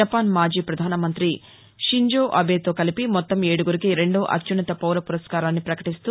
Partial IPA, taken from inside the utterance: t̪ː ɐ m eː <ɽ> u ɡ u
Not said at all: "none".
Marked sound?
ɽ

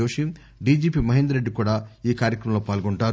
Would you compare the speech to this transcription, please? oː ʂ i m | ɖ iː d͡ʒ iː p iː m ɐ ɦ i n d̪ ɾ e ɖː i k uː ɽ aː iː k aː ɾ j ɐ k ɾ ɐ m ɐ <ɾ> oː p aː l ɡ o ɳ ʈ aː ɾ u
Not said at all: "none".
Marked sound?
l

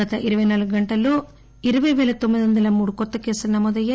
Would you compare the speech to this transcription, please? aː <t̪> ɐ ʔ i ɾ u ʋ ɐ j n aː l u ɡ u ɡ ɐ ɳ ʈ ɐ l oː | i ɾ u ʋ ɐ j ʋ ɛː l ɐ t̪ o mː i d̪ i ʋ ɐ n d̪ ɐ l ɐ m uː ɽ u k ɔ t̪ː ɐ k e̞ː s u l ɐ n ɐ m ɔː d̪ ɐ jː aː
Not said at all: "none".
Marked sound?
t̪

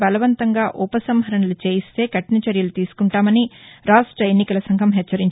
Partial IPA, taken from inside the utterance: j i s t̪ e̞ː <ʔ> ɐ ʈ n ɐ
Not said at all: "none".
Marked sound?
k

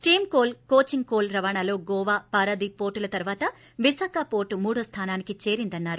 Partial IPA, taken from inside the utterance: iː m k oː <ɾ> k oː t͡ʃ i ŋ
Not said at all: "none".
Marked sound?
l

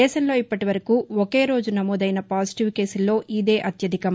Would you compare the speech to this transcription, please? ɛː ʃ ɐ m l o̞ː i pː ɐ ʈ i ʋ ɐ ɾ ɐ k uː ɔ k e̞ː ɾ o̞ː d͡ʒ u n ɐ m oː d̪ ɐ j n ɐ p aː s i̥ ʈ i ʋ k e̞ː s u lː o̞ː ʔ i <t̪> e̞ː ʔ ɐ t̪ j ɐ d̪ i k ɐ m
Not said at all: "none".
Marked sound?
d̪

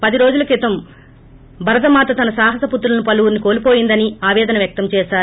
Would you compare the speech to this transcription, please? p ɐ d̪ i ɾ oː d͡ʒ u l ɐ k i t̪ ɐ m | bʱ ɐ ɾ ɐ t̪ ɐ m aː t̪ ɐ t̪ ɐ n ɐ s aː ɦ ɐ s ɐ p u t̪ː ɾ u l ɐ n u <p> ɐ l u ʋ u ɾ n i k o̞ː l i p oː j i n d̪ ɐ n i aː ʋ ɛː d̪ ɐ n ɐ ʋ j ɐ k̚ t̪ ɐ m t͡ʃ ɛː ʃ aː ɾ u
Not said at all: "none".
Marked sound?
p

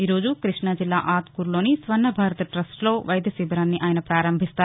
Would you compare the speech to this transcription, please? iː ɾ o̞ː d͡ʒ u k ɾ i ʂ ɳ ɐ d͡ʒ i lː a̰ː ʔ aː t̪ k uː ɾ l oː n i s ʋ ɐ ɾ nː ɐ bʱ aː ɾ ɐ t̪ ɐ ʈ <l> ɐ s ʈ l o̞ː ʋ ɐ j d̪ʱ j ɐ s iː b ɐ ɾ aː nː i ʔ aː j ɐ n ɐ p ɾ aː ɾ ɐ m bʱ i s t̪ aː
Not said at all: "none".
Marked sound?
ɾ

